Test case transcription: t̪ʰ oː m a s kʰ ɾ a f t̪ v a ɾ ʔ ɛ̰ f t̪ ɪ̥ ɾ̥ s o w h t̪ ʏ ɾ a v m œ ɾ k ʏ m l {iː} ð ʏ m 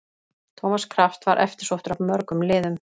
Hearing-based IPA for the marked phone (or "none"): ɪː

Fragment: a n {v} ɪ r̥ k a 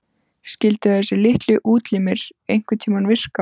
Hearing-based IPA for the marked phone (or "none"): v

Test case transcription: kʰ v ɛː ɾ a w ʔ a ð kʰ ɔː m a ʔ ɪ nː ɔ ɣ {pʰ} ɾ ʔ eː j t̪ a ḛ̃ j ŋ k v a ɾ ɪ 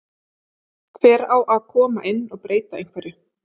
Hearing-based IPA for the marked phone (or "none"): p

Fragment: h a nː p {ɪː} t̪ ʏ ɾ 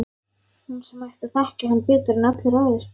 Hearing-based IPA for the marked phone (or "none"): ɪː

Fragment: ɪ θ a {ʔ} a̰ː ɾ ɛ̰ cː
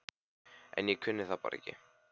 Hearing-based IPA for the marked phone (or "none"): p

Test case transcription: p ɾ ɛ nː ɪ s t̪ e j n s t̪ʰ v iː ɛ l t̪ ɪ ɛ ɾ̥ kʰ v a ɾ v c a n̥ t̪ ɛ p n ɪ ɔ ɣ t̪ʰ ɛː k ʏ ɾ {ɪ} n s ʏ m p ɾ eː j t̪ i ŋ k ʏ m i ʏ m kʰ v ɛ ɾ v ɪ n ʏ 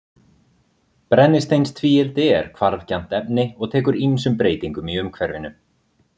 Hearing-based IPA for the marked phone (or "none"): i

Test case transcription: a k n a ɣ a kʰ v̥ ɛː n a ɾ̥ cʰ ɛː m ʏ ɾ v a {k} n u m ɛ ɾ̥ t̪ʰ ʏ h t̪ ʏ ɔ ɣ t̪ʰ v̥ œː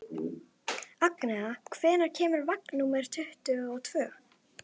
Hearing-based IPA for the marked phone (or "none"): k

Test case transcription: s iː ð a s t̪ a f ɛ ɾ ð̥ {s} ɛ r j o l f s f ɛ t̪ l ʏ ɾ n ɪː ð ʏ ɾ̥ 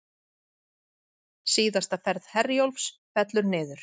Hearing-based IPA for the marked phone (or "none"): h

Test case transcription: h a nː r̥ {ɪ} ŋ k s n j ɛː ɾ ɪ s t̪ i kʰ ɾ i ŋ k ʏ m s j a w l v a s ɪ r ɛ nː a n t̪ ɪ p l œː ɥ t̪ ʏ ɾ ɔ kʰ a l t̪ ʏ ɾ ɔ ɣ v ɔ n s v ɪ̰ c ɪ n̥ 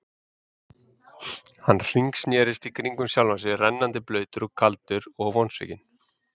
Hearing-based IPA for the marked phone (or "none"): i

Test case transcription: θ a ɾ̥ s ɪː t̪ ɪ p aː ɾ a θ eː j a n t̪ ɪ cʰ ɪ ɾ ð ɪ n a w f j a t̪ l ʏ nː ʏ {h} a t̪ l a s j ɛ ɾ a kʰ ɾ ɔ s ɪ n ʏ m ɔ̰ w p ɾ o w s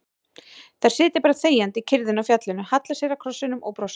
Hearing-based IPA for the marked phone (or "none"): h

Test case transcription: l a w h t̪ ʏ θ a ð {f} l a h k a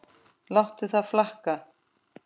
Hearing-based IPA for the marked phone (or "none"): f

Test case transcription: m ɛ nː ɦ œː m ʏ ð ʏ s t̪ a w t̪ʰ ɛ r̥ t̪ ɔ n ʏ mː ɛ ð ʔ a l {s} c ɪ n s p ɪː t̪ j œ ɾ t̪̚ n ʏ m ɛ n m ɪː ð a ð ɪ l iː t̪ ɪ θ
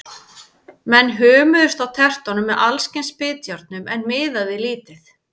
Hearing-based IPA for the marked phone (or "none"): s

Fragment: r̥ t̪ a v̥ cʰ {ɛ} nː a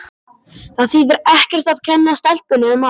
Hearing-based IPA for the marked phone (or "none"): ɛ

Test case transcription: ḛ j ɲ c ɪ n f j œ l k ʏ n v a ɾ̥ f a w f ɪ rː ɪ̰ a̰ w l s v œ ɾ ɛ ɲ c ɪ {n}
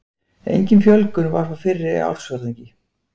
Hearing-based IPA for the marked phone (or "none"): none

